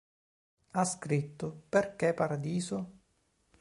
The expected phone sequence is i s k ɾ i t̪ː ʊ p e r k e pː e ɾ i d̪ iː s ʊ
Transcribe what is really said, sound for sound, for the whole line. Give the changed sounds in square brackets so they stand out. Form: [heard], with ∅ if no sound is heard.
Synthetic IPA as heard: [a] s k ɾ i t̪ː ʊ p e r k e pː [a] ɾ [a] d̪ iː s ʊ

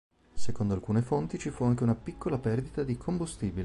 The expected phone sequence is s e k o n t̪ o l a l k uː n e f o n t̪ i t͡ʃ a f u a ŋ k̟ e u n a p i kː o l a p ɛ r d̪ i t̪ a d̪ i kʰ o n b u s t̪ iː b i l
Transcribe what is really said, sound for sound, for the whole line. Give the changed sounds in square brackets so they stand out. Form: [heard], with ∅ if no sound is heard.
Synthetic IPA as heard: s e k o n [d̪] o [∅] a l k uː n e f o n t̪ i t͡ʃ [i] f u a ŋ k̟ e u n a p i kː o l a p ɛ r d̪ i t̪ a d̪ i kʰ o [m] b u s t̪ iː b i l

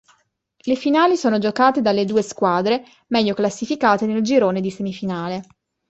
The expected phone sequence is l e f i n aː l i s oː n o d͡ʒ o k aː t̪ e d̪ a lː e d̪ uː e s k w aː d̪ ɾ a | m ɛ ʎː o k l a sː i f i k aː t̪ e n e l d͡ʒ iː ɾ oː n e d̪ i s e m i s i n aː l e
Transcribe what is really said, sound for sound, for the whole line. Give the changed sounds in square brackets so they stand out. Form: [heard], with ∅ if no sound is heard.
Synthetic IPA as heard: l e f i n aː l i s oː n o d͡ʒ o k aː t̪ e d̪ a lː e d̪ uː e s k w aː d̪ ɾ [e] | m ɛ ʎː o k l a sː i f i k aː t̪ e n e l d͡ʒ [i] ɾ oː n e d̪ i s e m i [f] i n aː l e

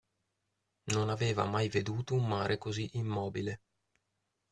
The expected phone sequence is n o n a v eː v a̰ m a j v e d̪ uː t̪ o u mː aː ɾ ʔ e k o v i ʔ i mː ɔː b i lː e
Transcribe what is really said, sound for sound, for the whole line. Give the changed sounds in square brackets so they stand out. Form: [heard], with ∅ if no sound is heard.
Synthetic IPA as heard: n o n a v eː v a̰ m a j v e d̪ uː t̪ o u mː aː ɾ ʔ e k o [z] i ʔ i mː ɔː b i [l] e

